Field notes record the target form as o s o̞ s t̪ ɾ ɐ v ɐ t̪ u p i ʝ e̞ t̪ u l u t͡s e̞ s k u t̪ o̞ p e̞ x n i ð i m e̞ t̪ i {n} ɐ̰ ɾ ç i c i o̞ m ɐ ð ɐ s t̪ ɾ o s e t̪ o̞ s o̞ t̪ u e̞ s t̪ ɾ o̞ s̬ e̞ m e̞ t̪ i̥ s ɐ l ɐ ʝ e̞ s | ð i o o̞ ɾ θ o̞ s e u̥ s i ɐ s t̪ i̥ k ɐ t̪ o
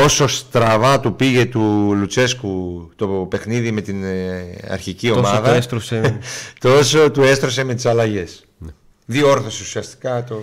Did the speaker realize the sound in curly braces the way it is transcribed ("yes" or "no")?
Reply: yes